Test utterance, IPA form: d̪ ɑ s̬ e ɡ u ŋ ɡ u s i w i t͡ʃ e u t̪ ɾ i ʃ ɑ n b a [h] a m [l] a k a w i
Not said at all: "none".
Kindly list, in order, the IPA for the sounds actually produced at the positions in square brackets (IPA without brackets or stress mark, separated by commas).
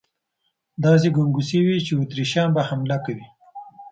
h, l